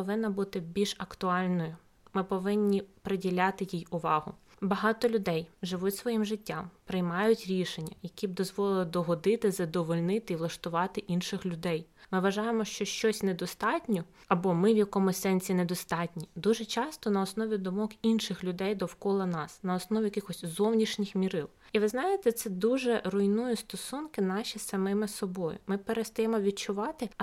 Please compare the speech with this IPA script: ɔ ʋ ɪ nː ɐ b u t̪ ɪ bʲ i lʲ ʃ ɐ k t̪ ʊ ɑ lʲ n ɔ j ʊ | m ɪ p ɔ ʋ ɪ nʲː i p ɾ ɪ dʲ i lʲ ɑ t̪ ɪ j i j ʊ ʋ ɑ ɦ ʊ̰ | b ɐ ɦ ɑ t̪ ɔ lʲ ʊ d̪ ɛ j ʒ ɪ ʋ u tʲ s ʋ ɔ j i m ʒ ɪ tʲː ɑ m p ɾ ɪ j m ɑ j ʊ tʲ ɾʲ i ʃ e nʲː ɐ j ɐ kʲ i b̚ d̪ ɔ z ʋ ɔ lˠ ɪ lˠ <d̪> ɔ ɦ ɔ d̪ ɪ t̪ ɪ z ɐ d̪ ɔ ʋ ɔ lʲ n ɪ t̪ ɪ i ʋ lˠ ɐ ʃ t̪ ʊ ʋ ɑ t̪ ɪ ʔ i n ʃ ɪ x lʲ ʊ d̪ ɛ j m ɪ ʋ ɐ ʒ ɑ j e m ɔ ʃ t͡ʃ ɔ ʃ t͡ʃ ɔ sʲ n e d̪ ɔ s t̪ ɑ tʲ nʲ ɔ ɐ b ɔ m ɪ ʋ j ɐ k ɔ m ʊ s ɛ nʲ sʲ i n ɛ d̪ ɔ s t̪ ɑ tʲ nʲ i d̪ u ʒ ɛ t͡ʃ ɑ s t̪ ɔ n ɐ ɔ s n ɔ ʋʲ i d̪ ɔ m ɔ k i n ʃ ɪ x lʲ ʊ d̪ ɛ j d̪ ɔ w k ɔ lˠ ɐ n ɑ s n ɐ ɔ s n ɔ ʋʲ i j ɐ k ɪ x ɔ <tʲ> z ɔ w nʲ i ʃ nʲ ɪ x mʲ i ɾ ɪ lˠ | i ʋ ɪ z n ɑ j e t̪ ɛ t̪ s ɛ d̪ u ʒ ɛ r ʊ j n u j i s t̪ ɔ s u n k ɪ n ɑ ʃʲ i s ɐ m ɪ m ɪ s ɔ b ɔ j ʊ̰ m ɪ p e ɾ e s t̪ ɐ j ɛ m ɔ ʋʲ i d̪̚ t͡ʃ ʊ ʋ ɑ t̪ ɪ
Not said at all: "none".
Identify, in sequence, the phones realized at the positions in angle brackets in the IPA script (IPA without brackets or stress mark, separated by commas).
d̪, sʲ